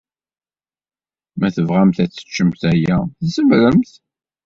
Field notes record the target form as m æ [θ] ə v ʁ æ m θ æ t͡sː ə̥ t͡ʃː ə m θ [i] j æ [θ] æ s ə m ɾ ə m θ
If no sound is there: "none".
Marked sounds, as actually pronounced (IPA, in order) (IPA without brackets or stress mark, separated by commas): θ, æ, θ